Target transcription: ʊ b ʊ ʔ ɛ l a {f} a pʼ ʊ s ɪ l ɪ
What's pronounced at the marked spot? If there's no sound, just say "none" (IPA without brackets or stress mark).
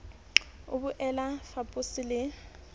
f